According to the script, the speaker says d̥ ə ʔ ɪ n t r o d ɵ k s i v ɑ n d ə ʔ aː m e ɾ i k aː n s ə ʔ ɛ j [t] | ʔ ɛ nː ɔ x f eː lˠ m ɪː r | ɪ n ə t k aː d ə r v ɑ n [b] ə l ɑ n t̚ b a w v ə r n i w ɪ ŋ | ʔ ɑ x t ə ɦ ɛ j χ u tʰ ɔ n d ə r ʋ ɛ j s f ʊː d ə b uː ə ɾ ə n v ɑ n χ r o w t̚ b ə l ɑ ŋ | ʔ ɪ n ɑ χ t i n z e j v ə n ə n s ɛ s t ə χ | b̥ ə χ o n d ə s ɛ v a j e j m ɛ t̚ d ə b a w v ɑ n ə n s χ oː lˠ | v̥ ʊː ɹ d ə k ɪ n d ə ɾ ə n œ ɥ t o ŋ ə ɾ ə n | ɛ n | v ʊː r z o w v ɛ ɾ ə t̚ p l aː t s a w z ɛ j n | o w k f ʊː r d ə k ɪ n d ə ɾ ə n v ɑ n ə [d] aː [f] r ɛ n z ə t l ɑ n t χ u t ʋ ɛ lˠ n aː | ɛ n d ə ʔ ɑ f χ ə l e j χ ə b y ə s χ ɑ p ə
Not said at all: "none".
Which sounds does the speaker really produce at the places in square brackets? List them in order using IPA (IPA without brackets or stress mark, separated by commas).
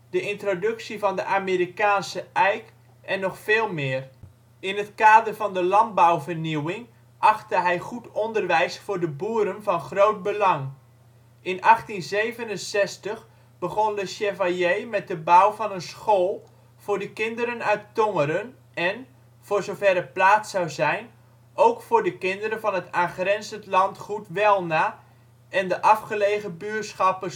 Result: k, d, t, χ